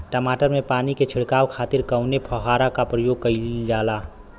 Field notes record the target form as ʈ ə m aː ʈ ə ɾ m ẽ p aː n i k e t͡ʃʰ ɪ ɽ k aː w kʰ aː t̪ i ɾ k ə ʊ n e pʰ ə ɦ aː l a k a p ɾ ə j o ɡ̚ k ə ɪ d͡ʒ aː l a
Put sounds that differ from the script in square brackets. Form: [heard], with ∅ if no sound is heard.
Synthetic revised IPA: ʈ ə m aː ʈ ə ɾ m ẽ p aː n i k e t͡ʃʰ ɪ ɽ k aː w kʰ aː t̪ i ɾ k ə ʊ n e pʰ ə ɦ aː [ɾ] a k a p ɾ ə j o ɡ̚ k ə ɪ d͡ʒ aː l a